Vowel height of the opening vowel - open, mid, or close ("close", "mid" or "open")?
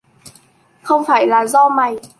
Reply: mid